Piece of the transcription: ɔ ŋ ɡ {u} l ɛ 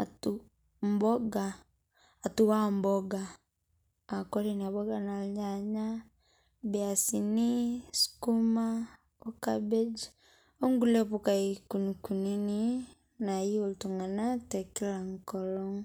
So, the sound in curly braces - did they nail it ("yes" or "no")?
yes